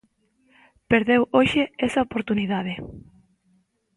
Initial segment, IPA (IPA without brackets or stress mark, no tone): p